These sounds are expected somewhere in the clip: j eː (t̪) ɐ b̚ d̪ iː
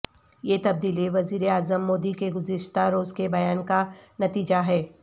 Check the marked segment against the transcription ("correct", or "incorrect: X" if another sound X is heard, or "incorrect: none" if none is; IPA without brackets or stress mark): correct